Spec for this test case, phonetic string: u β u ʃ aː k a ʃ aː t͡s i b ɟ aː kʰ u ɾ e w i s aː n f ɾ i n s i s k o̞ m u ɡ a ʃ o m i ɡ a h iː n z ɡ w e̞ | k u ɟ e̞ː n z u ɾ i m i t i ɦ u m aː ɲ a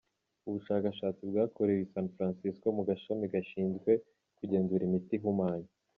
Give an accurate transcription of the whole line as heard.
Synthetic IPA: u β u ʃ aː k a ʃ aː t͡s i b ɡ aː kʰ o ɾ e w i s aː n f ɾ a n s i s k o̞ m u ɡ a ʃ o m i ɡ a ʃ iː n z ɡ w e̞ | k u ɟ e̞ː n z u ɾ i m i t i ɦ u m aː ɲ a